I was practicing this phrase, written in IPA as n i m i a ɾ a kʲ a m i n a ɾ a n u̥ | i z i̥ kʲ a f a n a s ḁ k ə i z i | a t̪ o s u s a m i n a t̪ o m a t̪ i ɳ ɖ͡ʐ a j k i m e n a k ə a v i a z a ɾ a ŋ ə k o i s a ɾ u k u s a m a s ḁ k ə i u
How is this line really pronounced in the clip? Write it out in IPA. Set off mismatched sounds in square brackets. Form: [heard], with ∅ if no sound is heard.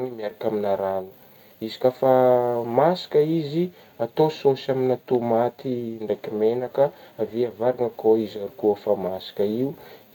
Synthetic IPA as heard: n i m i a ɾ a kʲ a m i n a ɾ a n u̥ | i z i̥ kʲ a f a [m] a s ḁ k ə i z i | a t̪ o s [o] s a m i n a t̪ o m a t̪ i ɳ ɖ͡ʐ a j k i m e n a k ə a v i a [v] a ɾ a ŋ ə k o i [z] a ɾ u k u [f] a m a s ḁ k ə i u